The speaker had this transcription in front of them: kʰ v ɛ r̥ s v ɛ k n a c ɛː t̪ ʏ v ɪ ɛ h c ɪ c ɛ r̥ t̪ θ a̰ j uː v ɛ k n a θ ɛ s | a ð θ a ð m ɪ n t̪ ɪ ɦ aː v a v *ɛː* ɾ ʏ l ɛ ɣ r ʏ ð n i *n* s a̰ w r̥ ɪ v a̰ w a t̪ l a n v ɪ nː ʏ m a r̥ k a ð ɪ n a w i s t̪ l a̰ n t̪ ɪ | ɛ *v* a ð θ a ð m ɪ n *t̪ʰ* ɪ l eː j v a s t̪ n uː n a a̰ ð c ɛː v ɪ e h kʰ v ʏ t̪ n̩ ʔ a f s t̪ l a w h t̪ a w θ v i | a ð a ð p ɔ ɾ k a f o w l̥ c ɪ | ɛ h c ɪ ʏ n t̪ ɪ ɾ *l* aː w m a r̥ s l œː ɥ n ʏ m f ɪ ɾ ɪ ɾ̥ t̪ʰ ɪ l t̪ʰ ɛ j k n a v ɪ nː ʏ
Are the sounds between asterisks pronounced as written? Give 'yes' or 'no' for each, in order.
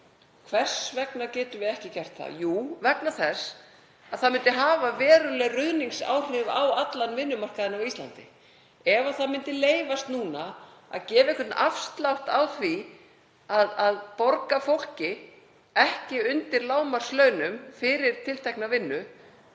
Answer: yes, no, yes, no, yes

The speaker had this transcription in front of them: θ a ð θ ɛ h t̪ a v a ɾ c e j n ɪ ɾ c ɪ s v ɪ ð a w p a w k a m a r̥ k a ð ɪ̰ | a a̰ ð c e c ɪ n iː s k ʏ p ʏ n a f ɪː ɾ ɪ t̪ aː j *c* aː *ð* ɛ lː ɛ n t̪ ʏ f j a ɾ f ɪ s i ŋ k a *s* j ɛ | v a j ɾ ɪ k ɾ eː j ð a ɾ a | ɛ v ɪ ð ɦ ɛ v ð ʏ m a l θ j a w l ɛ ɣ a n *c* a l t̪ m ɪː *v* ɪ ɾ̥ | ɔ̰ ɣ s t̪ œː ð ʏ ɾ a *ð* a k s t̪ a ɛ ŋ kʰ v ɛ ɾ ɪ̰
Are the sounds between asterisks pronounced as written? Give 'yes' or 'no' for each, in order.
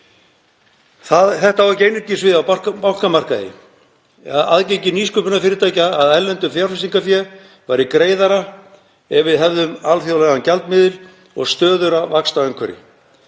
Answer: yes, yes, no, yes, no, no

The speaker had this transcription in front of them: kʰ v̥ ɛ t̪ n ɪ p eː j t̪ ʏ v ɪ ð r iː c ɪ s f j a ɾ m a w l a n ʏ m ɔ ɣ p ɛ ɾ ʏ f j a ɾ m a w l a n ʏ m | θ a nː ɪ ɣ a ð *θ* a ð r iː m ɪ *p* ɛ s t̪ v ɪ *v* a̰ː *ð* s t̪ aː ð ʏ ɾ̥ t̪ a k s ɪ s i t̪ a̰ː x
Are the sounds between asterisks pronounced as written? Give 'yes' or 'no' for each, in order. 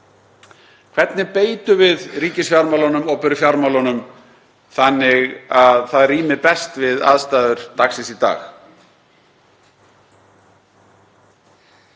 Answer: yes, yes, no, yes

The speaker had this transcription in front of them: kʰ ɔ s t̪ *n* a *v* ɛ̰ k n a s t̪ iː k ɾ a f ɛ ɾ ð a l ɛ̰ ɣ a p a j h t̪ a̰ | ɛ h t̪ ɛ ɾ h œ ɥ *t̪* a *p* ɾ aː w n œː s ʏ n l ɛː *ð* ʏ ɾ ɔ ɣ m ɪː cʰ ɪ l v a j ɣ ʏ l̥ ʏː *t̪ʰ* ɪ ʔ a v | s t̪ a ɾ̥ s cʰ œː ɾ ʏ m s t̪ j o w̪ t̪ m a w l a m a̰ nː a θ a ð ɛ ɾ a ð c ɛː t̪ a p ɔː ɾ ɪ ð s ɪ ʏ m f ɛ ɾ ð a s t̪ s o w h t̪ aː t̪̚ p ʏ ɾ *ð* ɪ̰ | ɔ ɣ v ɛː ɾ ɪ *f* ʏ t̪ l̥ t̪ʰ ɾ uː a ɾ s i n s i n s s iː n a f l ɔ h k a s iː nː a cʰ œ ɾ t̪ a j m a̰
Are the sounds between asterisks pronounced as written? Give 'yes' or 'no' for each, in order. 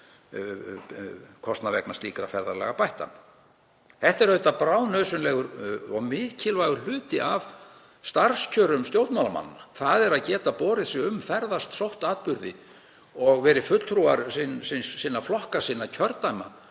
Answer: yes, yes, yes, yes, no, no, yes, yes

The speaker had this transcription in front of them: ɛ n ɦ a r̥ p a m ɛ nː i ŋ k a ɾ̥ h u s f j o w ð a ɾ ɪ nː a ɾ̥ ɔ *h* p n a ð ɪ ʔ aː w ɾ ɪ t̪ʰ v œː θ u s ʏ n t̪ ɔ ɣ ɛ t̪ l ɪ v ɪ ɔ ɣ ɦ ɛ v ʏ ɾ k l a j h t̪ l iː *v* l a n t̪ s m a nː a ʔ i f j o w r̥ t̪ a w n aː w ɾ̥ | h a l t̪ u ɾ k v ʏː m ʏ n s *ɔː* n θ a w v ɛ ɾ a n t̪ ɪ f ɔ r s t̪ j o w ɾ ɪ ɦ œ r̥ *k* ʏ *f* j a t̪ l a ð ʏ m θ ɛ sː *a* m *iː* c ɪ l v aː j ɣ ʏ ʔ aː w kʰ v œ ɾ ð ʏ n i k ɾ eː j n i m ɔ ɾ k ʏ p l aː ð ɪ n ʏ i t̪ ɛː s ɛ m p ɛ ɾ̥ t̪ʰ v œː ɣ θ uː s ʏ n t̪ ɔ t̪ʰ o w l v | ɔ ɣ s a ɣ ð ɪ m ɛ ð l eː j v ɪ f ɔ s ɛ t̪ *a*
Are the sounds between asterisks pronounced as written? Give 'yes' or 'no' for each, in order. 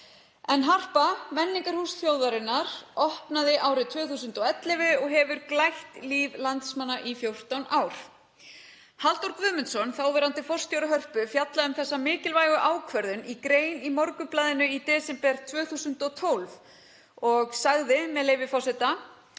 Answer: yes, yes, no, no, yes, yes, no, yes

